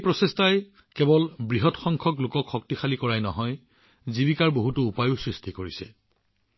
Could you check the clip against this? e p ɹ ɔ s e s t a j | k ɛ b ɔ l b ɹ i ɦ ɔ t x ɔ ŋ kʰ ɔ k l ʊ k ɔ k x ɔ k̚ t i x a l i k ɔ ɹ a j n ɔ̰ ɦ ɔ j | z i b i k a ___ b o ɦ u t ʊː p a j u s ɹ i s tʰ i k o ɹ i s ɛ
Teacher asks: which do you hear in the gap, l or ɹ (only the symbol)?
ɹ